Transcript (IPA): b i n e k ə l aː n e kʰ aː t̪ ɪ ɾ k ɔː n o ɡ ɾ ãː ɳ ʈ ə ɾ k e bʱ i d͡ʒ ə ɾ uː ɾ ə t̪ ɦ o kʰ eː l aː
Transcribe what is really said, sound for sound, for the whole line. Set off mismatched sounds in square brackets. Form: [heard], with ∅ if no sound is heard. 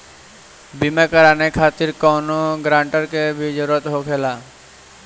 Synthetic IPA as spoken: b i [m] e k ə [ɾ] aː n e kʰ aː t̪ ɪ ɾ k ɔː n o ɡ ɾ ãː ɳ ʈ ə ɾ k e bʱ i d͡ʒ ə ɾ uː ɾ ə t̪ ɦ o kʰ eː l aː